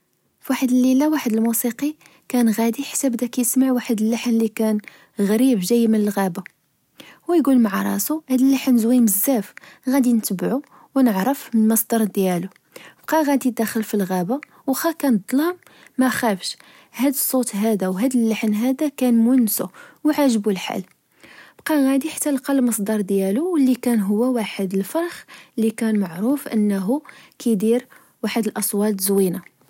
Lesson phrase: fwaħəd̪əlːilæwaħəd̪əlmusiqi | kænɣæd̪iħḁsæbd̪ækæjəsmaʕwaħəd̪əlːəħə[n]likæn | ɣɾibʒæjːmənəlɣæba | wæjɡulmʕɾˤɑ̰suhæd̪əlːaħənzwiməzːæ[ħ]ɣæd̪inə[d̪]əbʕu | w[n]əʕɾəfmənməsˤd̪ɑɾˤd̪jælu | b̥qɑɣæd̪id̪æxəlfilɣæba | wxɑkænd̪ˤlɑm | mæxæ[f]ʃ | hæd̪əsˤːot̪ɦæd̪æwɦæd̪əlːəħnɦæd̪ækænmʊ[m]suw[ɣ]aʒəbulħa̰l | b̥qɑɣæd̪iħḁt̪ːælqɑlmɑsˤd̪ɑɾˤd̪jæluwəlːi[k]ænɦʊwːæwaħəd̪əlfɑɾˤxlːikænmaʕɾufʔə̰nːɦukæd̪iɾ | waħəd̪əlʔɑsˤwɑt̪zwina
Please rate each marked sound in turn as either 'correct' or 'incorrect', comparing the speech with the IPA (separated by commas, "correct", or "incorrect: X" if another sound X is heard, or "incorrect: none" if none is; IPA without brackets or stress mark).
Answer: correct, incorrect: f, incorrect: t̪, correct, correct, incorrect: n, incorrect: ʕ, correct